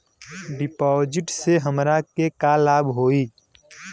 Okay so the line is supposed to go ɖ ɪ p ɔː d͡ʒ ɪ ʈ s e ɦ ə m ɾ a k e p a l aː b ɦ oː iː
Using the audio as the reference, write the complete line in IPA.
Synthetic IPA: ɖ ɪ p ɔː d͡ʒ ɪ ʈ s e ɦ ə m ɾ a k e k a l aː b ɦ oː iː